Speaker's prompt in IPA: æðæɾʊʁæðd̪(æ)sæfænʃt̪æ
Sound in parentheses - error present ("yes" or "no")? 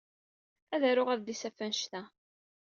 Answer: yes